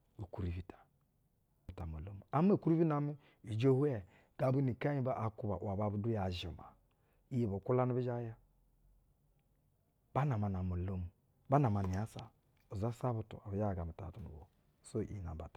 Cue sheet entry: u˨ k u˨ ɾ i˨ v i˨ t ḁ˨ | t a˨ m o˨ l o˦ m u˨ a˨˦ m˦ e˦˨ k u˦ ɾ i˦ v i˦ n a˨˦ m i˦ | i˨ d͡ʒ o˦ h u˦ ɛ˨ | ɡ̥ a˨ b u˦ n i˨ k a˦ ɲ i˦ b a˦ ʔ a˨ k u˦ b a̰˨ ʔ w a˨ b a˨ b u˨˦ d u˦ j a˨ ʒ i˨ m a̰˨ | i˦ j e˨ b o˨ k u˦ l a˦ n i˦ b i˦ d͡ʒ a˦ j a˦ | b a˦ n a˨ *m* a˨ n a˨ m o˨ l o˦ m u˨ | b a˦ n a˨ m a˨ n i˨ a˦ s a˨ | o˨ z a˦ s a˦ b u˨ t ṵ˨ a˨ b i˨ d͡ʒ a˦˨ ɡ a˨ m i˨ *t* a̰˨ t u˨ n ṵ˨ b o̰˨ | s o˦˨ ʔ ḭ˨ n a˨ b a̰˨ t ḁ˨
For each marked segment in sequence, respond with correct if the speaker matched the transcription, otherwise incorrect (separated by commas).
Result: correct, correct